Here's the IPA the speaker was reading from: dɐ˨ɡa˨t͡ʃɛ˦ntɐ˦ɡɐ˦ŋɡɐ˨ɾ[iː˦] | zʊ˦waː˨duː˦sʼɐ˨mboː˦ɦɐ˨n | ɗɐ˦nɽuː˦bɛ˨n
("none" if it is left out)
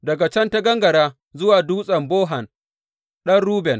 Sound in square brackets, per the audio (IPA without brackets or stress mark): aː˦